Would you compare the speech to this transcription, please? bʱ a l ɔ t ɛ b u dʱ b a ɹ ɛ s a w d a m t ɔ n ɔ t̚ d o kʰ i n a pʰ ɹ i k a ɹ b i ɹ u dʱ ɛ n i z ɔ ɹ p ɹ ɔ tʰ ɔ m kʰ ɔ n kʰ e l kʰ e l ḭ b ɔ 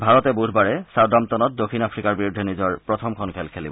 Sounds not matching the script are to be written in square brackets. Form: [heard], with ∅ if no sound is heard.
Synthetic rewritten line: bʱ a [ɹ] ɔ t ɛ b u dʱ b a ɹ ɛ s a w d a m t ɔ n ɔ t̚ d o kʰ i n a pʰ ɹ i k a ɹ b i ɹ u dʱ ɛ n i z ɔ ɹ p ɹ ɔ tʰ ɔ m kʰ ɔ n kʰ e l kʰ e l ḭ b ɔ

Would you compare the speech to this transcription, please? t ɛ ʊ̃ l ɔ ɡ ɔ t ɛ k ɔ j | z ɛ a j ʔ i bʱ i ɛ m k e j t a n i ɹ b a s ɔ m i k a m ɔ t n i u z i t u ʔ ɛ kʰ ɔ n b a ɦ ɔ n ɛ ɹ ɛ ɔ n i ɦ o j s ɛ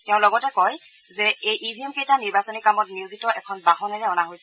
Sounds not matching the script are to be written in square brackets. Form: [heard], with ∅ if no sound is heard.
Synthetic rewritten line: t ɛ ʊ̃ l ɔ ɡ ɔ t ɛ k ɔ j | z ɛ [e] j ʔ i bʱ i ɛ m k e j t a n i ɹ b a s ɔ [n] i k a m ɔ t n i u z i t [ɔ] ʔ ɛ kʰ ɔ n b a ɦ ɔ n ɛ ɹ ɛ ɔ n [a] ɦ o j s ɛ

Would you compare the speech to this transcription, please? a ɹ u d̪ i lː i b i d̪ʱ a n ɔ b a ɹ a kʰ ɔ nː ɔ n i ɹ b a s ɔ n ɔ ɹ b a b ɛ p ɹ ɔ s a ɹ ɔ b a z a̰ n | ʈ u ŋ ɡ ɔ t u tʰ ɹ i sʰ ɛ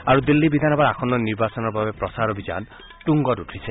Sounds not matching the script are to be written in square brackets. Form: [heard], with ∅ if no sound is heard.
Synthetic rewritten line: a ɹ u d̪ i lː i b i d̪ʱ a n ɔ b a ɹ a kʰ ɔ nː ɔ n i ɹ b a s ɔ n ɔ ɹ b a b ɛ p ɹ ɔ s a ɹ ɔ b [i] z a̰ n | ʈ u ŋ ɡ ɔ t u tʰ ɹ i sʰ ɛ

